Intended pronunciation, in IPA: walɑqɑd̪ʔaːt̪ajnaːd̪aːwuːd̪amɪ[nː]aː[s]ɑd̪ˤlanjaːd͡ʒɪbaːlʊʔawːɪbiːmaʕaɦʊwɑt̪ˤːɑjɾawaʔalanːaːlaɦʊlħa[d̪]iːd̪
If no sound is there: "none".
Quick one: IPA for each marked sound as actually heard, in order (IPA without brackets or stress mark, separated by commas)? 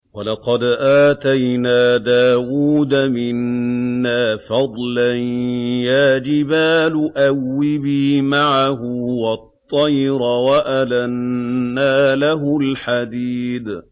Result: nː, f, d̪